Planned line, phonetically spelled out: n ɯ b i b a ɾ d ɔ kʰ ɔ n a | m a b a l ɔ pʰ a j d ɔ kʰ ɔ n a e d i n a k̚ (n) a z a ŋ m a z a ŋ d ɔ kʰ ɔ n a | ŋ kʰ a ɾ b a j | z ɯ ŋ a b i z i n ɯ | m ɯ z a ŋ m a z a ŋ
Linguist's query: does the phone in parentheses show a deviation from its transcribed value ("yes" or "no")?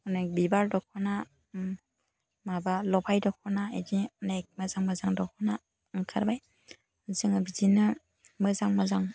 yes